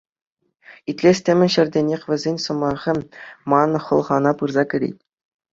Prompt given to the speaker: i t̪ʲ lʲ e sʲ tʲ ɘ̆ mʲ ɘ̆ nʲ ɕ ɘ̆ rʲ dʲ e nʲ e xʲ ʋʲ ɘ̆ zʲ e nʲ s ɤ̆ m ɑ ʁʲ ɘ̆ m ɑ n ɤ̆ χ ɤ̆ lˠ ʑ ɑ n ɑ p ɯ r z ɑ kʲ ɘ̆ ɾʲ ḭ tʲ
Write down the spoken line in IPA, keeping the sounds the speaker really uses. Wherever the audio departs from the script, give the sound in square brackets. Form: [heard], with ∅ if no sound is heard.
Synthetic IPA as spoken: i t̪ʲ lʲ e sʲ tʲ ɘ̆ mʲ ɘ̆ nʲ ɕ ɘ̆ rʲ dʲ e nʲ e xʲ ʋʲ ɘ̆ zʲ e nʲ s ɤ̆ m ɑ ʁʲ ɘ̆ m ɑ n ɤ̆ χ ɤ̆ lˠ [ʁ] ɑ n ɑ p ɯ r z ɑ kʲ ɘ̆ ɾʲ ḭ tʲ